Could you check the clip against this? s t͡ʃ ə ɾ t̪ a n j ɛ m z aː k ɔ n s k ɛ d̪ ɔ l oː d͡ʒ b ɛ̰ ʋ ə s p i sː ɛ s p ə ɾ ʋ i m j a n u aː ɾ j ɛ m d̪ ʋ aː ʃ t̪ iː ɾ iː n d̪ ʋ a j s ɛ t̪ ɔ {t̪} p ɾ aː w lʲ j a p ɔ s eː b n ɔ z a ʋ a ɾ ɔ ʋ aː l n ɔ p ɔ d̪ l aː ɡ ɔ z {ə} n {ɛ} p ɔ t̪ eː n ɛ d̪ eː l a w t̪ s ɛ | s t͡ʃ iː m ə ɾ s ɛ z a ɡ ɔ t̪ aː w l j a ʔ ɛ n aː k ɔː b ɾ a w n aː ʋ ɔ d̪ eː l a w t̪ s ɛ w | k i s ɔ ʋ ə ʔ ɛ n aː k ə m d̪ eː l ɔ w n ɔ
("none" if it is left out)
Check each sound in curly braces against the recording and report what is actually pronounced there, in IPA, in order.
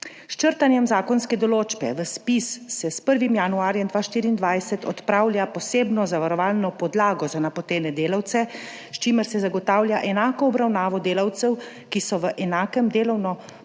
t̪, a, a

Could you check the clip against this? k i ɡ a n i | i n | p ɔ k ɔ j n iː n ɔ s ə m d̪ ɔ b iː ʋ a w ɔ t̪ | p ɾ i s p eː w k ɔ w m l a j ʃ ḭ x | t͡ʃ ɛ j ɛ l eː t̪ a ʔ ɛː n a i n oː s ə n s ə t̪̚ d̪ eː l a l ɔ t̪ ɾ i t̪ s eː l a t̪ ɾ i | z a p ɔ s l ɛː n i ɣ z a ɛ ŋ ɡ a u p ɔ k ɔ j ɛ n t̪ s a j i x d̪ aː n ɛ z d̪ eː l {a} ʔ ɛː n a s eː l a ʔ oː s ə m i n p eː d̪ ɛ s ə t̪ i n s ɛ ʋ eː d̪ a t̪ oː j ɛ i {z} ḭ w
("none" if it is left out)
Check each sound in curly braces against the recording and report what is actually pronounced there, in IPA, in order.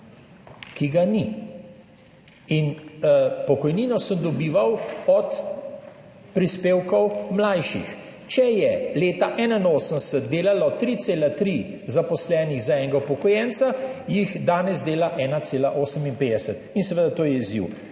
a, z

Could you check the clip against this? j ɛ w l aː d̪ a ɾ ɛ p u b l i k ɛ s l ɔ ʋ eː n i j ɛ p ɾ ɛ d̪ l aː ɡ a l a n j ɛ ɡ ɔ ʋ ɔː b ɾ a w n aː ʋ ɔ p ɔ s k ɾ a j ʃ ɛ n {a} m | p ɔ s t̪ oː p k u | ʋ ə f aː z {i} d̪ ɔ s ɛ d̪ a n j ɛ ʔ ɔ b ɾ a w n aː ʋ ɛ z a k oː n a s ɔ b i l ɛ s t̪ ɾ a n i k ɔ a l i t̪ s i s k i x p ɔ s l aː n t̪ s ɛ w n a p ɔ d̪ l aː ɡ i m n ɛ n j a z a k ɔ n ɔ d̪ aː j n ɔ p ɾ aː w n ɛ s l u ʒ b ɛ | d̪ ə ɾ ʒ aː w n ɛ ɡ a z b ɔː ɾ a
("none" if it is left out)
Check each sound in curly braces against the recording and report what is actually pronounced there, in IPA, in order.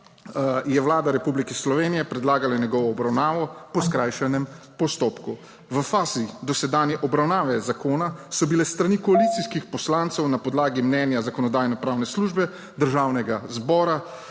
ɛ, i

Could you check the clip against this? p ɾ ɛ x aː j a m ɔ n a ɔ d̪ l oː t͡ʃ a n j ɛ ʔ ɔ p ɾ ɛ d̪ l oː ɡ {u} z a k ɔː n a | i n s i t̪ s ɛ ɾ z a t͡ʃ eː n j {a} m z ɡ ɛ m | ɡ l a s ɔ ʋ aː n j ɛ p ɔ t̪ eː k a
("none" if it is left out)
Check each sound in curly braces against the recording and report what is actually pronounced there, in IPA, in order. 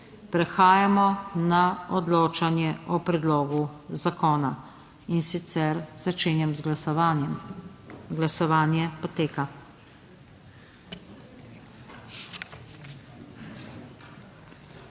u, ɛ

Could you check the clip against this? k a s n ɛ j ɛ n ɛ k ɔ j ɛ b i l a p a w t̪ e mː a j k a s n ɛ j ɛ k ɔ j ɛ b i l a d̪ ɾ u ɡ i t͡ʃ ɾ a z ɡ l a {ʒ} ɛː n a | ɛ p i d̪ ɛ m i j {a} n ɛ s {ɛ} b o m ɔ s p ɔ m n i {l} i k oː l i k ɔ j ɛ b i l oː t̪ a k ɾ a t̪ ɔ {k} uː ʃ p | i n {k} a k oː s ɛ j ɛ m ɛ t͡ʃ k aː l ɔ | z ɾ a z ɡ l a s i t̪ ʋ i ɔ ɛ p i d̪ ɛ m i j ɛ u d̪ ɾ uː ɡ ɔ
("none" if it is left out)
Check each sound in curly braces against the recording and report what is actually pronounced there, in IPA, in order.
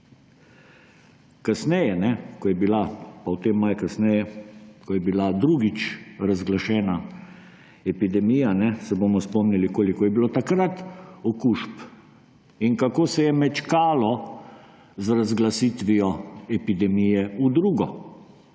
ʃ, a, ɛ, l, k, k

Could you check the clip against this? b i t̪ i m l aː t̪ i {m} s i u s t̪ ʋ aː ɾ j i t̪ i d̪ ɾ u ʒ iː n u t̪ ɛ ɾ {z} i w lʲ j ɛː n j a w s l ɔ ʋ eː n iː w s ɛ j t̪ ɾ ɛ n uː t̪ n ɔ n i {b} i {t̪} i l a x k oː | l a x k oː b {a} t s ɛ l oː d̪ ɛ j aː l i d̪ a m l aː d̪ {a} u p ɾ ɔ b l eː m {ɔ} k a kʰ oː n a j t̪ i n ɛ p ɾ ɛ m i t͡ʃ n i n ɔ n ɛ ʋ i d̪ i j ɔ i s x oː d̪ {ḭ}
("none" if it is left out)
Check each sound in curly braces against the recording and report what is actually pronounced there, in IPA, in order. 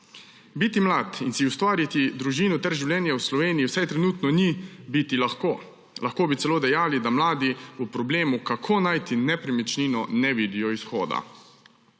n, ʒ, b, t̪, i, i, u, a̰

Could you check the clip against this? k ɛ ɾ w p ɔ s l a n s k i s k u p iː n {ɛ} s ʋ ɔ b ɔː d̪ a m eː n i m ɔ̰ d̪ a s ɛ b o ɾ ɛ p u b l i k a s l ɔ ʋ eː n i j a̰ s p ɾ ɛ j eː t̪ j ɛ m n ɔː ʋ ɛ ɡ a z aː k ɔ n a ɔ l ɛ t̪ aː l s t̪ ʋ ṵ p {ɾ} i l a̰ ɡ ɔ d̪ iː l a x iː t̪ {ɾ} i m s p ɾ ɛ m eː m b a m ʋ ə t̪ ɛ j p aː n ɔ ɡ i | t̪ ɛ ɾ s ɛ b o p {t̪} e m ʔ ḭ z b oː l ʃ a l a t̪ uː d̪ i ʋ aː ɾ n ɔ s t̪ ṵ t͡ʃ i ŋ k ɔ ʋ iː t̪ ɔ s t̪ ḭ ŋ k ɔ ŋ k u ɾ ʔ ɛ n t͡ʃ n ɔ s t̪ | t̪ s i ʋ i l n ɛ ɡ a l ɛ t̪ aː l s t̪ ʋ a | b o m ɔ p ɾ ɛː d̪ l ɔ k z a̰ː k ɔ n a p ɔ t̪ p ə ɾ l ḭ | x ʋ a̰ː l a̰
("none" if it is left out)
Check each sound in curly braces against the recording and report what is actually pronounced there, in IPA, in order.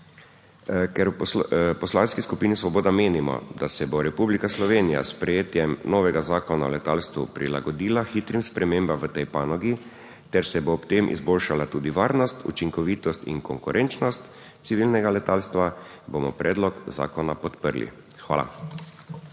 i, ɾ, ɾ, t̪

